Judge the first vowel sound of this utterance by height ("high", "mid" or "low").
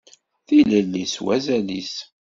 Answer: high